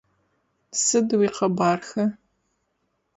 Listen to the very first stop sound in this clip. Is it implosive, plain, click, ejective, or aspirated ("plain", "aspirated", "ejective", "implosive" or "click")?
plain